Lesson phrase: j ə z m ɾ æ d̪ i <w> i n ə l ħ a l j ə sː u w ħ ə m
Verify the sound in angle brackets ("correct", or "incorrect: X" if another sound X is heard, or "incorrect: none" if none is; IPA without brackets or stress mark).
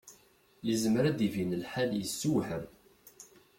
incorrect: v